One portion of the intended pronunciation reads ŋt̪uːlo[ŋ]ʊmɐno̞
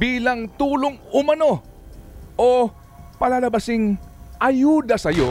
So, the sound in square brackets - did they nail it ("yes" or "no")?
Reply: yes